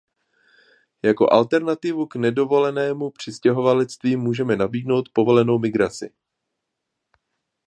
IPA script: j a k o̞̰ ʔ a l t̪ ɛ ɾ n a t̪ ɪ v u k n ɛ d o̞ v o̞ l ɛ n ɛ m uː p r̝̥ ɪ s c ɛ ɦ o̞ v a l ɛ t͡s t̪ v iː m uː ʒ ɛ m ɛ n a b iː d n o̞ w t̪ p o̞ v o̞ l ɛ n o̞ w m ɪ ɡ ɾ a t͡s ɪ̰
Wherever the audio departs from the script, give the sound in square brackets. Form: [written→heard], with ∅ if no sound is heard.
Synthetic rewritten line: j a k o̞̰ ʔ a l t̪ ɛ ɾ n a t̪ ɪ v u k n ɛ d o̞ v o̞ l ɛ n [ɛ→ɛː] m [uː→u] p r̝̥ ɪ s c ɛ ɦ o̞ v a l ɛ t͡s t̪ v iː m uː ʒ ɛ m ɛ n a b iː d n o̞ w t̪ p o̞ v o̞ l ɛ n o̞ w m ɪ ɡ ɾ a t͡s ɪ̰